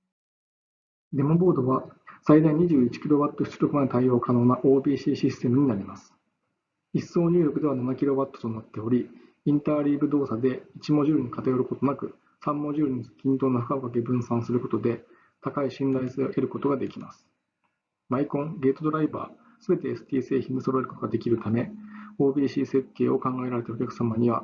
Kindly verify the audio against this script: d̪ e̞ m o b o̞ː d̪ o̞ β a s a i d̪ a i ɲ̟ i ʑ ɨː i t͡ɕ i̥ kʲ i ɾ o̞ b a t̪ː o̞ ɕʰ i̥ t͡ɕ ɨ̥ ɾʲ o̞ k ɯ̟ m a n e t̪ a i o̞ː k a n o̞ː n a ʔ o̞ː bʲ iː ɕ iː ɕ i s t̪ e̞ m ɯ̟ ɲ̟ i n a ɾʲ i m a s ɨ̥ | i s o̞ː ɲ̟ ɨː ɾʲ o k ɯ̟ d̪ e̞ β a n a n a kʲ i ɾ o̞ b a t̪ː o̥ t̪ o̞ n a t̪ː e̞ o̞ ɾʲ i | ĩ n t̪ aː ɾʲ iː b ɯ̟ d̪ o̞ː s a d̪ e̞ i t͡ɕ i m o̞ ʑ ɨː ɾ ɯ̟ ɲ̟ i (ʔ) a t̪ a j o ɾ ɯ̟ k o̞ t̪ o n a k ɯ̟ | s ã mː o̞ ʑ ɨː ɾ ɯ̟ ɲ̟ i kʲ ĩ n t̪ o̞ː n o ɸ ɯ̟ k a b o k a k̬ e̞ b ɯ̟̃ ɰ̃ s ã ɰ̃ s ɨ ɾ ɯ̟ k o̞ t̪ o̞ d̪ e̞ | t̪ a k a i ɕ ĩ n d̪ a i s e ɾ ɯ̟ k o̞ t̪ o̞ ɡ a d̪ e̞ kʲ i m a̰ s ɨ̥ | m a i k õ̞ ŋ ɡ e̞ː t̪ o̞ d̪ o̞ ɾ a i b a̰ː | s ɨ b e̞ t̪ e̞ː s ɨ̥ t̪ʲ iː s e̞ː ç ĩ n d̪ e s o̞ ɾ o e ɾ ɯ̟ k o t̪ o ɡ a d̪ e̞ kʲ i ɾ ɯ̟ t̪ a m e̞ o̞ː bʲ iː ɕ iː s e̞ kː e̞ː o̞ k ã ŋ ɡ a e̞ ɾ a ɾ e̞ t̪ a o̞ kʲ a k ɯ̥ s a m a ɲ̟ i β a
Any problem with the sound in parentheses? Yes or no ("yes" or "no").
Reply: yes